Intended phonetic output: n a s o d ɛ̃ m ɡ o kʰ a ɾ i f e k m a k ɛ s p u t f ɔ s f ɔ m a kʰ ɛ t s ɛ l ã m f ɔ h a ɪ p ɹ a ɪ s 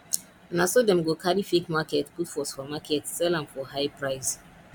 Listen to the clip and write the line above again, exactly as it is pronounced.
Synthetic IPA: n a s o d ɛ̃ m ɡ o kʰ a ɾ i f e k m a k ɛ t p u t f ɔ s f ɔ m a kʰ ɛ t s ɛ l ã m f ɔ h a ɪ p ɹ a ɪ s